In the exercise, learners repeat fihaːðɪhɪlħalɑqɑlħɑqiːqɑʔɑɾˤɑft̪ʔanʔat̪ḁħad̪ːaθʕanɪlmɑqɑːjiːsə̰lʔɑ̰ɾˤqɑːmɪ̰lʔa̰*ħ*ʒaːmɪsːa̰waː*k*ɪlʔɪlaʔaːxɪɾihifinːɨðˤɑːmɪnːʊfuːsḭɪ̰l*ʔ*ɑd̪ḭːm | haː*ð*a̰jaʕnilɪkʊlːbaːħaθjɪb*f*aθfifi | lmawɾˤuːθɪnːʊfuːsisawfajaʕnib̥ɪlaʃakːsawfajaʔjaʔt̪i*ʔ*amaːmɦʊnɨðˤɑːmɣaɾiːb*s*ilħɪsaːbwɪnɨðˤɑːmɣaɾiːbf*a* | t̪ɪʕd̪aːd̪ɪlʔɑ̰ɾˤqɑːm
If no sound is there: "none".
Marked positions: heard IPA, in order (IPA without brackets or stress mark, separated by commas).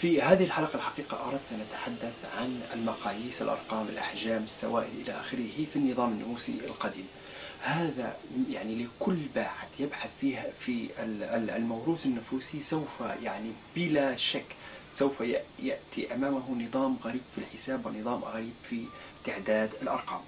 ħ, ʔ, q, ð, ħ, ʔ, f, i